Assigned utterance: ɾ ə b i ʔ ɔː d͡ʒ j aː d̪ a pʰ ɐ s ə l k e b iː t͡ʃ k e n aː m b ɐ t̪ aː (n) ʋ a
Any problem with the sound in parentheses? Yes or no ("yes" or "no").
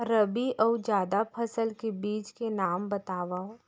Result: yes